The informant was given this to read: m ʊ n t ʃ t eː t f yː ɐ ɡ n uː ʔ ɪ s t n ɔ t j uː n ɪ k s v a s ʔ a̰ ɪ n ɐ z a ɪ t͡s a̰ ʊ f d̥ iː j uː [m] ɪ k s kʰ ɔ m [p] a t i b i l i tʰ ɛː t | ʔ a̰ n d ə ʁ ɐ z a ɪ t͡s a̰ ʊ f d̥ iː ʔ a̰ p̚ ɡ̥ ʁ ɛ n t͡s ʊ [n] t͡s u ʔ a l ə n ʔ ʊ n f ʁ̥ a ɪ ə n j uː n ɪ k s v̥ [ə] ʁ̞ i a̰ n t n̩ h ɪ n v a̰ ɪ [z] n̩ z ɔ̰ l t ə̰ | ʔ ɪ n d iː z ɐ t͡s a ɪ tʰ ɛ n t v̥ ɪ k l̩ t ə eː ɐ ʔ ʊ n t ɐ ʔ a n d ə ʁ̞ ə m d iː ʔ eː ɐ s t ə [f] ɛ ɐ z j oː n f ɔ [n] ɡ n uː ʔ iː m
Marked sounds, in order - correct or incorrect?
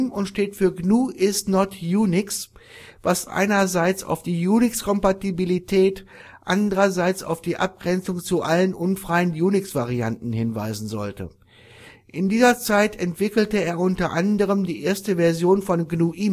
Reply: incorrect: n, correct, incorrect: ŋ, incorrect: a, correct, incorrect: v, correct

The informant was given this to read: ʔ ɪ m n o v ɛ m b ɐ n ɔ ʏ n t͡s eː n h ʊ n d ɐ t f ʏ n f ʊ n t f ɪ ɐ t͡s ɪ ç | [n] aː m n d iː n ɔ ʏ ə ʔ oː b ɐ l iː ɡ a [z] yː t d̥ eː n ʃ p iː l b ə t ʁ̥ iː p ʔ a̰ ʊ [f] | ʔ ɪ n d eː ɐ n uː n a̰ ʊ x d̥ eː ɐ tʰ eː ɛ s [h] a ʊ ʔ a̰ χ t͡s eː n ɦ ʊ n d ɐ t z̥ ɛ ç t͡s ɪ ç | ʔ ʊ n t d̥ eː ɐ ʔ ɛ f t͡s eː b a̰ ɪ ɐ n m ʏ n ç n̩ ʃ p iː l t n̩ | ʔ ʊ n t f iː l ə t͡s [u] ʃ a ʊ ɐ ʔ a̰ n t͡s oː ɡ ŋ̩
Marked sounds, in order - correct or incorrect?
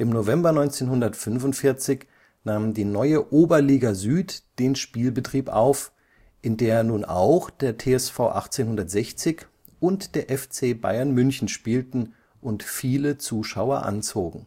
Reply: correct, correct, correct, incorrect: f, incorrect: uː

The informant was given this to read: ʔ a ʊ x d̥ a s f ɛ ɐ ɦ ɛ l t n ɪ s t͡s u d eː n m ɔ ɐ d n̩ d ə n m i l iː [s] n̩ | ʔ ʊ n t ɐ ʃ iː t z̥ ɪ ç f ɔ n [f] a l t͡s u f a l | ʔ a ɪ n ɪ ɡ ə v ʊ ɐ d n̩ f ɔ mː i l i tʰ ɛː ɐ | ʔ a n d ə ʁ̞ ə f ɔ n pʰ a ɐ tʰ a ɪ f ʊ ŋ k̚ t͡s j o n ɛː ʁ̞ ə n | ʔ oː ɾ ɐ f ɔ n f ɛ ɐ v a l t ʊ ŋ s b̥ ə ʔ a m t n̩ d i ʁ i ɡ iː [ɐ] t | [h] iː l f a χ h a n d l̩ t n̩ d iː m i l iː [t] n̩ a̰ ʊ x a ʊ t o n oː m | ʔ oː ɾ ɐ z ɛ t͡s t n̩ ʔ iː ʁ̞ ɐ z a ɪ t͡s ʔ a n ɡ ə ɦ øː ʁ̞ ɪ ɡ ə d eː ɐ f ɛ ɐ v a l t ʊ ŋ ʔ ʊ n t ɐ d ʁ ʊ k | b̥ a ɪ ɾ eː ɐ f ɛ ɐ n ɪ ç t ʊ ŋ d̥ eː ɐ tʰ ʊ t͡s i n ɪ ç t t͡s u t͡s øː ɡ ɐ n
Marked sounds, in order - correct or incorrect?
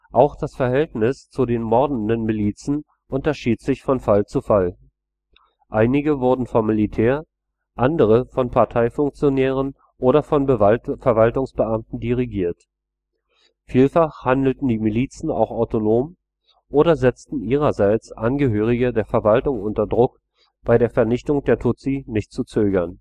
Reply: incorrect: t͡s, correct, correct, incorrect: f, incorrect: t͡s

